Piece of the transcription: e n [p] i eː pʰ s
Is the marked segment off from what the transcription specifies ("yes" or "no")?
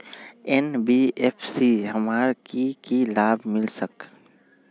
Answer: yes